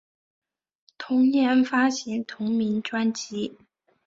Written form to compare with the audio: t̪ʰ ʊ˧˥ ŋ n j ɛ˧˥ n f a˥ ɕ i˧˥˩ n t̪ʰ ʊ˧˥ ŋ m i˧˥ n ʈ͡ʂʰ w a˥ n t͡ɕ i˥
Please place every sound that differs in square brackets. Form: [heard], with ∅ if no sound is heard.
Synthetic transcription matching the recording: t̪ʰ ʊ˧˥ ŋ n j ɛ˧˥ n f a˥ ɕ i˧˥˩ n t̪ʰ ʊ˧˥ ŋ m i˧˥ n [ʈ͡ʂ] w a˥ n t͡ɕ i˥